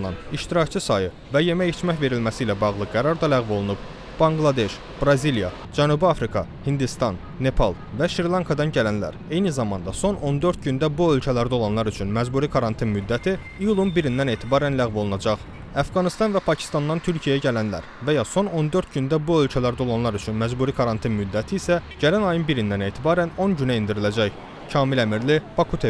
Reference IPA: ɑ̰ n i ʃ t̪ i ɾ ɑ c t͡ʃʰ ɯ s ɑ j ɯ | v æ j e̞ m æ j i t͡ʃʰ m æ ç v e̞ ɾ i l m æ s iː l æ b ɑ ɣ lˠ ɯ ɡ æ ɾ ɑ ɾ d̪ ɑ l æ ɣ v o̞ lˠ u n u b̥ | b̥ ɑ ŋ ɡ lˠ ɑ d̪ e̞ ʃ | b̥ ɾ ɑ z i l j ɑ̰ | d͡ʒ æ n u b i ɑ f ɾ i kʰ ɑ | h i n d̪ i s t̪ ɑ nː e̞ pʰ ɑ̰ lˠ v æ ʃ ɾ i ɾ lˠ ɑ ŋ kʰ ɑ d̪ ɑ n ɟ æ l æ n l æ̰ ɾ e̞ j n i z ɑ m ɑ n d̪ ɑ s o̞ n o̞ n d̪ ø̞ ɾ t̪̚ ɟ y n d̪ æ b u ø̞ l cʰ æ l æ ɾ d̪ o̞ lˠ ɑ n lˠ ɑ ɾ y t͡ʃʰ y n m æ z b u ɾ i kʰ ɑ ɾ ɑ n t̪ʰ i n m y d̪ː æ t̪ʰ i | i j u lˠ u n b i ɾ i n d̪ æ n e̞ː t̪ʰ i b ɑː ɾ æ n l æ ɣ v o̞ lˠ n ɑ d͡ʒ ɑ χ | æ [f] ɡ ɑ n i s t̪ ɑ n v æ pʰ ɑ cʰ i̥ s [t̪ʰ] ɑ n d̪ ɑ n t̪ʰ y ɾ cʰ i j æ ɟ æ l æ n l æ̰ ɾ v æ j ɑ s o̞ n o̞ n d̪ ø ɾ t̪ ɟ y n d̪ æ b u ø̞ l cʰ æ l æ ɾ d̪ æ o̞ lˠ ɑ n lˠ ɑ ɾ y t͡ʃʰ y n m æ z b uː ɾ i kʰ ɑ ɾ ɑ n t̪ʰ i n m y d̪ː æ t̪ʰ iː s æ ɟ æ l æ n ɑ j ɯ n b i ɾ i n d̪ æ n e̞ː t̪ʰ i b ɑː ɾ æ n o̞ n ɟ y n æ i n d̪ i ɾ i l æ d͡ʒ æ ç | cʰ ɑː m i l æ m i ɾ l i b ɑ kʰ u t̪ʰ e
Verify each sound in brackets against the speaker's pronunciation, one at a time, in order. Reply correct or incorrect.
correct, incorrect

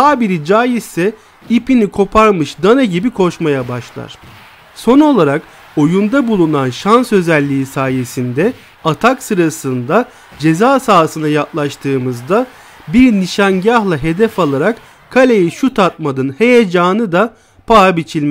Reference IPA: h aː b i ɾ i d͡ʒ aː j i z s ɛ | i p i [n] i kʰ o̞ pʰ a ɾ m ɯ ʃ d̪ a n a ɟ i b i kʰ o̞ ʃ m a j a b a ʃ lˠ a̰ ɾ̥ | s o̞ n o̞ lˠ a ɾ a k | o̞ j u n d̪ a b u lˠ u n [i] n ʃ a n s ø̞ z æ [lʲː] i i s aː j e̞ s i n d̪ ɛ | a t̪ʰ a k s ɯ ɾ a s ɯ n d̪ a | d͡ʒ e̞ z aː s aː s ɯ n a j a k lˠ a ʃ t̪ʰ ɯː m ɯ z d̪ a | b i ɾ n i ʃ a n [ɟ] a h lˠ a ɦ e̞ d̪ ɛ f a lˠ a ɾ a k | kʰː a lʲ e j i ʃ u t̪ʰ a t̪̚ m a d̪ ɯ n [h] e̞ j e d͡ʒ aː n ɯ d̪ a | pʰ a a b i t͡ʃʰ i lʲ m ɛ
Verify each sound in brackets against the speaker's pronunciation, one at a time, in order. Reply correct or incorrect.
correct, incorrect, correct, correct, correct

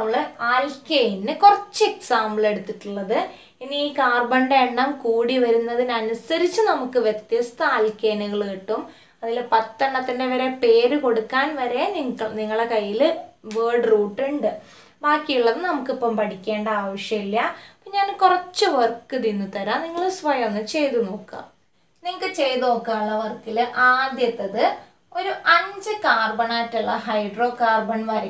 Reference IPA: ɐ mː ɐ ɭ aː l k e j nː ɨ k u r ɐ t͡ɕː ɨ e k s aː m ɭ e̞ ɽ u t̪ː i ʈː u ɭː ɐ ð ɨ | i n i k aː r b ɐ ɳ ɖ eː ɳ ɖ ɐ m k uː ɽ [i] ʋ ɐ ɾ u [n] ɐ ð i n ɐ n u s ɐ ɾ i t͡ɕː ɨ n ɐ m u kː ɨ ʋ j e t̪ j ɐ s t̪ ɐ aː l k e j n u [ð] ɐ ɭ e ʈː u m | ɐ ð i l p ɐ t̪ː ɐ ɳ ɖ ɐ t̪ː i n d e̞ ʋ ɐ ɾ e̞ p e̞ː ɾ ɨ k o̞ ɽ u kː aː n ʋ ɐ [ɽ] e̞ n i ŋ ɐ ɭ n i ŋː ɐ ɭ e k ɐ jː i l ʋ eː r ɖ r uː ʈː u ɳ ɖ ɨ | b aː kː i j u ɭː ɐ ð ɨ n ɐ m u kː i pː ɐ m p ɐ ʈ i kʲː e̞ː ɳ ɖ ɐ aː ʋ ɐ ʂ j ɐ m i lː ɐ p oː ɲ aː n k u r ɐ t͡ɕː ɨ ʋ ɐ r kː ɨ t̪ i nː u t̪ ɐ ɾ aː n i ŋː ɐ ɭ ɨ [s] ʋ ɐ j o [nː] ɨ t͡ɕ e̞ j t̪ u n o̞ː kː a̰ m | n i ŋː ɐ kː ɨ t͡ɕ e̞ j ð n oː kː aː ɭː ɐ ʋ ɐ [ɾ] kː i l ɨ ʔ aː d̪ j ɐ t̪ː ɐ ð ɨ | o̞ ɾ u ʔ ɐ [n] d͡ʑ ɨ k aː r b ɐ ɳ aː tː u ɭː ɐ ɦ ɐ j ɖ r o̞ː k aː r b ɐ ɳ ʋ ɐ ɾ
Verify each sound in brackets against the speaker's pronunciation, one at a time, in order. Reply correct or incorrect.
correct, incorrect, incorrect, incorrect, correct, correct, incorrect, incorrect

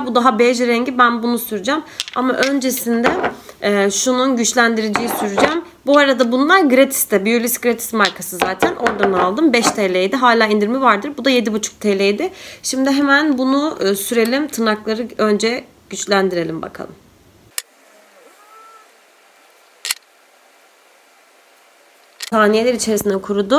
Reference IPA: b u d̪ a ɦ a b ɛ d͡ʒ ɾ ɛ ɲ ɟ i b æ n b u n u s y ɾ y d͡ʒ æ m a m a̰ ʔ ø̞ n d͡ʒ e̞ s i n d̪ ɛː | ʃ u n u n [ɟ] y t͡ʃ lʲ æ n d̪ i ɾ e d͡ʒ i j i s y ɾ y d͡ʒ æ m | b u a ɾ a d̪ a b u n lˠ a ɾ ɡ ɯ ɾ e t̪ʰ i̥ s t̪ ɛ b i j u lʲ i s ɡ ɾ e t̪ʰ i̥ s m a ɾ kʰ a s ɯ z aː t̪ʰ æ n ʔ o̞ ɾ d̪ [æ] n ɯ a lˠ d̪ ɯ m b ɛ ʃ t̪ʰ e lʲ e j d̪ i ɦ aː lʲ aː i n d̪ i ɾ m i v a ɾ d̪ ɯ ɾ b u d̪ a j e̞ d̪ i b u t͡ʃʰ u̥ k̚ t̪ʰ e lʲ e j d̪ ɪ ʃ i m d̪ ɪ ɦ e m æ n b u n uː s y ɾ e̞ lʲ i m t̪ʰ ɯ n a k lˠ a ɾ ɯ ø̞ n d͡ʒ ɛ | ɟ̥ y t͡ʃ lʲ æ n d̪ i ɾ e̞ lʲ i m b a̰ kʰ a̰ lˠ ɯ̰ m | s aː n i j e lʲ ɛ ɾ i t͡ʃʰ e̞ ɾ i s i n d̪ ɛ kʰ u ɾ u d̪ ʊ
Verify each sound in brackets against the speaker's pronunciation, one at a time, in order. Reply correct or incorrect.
correct, incorrect

